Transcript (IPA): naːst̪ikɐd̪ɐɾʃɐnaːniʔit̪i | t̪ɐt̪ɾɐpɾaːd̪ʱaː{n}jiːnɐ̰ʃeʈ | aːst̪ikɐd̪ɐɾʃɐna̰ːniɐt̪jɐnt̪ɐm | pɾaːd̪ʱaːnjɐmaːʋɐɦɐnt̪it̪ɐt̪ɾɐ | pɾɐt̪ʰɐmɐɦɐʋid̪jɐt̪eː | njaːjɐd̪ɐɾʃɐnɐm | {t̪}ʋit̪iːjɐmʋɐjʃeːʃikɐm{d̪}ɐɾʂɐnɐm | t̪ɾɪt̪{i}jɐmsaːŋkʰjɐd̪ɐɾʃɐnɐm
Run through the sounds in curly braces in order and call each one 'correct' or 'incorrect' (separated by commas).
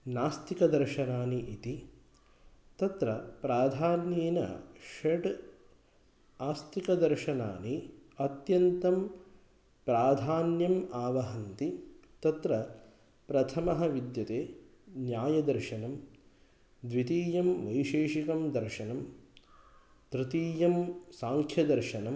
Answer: correct, incorrect, correct, incorrect